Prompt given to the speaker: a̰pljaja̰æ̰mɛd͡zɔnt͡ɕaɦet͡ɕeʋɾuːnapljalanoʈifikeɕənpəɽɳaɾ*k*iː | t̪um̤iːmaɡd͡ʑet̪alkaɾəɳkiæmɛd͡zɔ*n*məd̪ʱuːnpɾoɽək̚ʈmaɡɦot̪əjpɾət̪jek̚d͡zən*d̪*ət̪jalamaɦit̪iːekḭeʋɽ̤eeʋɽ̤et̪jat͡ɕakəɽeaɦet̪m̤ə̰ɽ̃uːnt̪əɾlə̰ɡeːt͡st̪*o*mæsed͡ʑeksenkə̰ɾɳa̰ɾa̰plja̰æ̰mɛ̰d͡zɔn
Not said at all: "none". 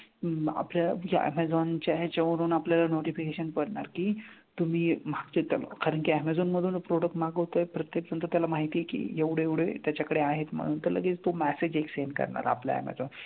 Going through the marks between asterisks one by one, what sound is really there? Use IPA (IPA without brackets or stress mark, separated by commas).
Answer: k, n, t̪, o